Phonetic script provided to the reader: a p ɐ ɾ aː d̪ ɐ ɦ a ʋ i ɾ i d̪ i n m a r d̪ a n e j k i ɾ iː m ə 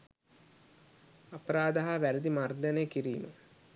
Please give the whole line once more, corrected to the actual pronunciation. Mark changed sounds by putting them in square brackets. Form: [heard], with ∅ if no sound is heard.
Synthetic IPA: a p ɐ ɾ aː d̪ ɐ ɦ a ʋ [æ] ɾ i d̪ i [∅] m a r d̪ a n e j k i ɾ iː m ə